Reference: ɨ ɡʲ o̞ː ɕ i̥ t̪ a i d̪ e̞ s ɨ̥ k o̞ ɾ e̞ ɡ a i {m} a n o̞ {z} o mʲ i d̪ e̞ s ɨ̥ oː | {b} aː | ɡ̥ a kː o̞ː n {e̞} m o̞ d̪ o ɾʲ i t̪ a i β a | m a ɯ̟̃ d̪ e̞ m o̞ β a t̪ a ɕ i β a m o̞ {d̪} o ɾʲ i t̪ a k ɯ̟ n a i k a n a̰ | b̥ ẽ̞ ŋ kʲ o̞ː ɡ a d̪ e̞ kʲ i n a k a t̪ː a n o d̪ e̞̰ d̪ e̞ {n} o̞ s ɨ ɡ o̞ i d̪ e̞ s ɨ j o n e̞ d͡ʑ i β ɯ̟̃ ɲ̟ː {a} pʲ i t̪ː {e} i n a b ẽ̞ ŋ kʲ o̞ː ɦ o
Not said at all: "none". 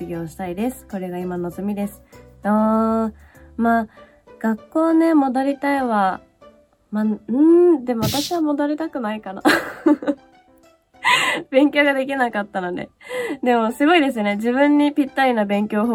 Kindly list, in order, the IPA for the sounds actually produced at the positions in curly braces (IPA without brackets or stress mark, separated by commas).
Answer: m, z, m, e̞, d̪, m, i, a